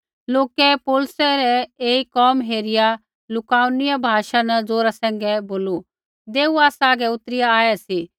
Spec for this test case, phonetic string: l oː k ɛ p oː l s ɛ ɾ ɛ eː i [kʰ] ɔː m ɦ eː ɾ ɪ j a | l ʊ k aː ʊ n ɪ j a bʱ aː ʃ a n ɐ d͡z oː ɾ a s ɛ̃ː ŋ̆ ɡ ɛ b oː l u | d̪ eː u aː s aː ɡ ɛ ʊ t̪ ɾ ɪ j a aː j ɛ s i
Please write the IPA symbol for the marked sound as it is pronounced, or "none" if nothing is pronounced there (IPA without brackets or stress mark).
k